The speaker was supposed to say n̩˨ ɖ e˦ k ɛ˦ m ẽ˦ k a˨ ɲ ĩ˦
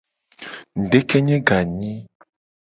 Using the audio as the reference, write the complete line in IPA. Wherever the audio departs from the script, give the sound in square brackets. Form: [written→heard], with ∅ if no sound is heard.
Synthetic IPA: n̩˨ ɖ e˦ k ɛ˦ [m→ɲ] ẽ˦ [k→ɡ] a˨ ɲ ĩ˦